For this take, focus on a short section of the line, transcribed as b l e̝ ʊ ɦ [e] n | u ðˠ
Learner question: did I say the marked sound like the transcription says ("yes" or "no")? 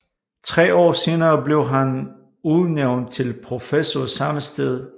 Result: no